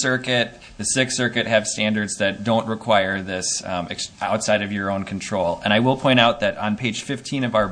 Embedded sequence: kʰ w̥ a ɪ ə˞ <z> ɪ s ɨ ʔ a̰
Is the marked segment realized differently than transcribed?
yes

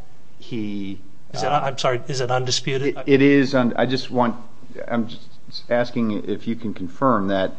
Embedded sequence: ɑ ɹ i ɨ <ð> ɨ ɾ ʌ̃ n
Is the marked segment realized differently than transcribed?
yes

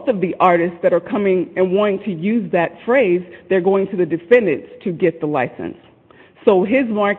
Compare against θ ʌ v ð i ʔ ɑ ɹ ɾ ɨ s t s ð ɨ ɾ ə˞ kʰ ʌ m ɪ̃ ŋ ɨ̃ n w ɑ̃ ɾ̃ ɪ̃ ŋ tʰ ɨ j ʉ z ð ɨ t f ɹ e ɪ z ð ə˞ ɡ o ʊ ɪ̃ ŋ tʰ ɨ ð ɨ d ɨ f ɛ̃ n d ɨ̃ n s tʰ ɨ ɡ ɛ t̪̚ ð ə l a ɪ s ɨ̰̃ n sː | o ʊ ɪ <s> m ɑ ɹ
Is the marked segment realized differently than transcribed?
yes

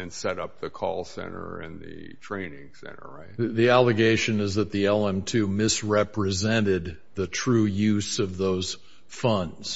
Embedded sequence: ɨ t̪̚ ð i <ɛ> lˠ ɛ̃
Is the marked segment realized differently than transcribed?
no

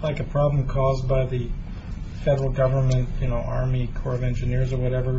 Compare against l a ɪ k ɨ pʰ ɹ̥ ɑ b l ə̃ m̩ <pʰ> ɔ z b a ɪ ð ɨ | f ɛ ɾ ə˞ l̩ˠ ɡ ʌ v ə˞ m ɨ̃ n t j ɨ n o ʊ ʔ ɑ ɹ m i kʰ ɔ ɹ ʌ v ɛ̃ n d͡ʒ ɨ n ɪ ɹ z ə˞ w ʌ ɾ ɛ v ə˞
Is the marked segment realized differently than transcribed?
yes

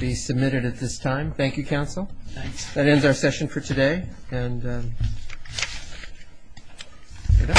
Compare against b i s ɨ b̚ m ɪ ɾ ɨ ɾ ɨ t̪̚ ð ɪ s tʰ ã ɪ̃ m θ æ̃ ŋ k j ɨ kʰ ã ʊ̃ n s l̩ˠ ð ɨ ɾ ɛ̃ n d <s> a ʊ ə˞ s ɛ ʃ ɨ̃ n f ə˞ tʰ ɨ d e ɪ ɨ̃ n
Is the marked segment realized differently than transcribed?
yes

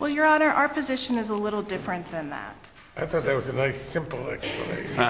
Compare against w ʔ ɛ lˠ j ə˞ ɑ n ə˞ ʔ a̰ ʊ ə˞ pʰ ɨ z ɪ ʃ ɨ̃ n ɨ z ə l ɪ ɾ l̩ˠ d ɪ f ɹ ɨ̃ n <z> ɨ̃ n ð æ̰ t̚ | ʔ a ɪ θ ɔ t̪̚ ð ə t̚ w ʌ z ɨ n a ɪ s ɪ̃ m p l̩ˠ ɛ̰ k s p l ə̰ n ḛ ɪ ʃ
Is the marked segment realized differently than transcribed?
yes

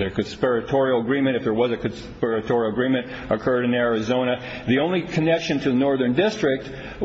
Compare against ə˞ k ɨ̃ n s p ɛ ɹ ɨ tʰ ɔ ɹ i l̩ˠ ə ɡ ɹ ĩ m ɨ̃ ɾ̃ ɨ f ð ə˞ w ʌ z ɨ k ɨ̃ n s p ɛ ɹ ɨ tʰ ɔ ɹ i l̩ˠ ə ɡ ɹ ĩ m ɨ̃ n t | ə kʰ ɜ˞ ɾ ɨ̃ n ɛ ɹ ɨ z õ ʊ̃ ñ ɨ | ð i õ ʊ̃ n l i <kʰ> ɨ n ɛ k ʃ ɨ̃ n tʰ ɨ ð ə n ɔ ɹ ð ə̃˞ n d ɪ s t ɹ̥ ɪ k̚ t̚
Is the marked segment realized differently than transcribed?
no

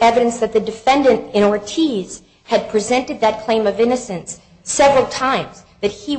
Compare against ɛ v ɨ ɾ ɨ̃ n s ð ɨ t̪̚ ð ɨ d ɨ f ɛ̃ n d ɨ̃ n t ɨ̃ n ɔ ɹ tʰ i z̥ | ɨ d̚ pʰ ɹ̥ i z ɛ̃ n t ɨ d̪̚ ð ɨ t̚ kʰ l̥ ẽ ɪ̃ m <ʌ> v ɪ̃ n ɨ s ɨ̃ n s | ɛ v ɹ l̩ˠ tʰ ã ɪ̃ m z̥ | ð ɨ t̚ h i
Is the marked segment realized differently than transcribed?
no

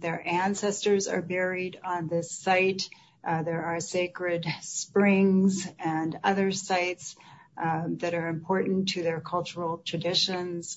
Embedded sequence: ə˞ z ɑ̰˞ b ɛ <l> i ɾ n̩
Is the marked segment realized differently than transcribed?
yes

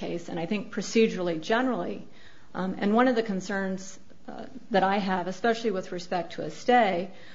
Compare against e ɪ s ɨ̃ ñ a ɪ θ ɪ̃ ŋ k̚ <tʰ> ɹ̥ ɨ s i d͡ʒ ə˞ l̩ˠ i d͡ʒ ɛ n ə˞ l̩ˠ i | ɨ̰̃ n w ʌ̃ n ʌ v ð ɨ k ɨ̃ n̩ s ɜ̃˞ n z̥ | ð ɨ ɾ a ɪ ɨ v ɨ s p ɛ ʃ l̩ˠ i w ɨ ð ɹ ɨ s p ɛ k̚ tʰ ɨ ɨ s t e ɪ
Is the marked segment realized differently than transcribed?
yes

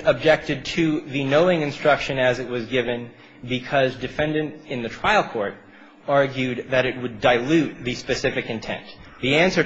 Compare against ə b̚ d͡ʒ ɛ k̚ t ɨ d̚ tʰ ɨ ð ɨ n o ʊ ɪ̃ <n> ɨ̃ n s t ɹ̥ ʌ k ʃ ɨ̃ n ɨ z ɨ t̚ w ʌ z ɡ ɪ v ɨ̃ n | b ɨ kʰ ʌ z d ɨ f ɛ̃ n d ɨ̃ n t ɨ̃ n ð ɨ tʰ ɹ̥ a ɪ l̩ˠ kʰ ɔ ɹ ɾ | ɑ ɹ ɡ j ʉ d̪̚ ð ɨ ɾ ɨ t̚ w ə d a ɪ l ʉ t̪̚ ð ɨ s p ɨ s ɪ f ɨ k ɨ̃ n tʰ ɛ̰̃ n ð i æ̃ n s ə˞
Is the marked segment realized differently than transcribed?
yes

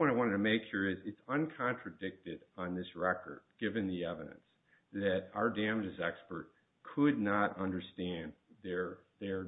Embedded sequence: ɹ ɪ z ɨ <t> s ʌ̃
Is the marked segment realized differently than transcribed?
no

